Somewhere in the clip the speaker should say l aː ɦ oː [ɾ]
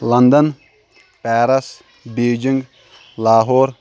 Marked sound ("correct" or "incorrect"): correct